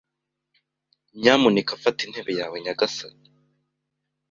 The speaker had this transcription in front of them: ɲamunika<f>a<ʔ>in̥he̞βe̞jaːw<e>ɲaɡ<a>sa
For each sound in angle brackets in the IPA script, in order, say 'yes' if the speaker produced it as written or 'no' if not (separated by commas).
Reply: yes, no, yes, yes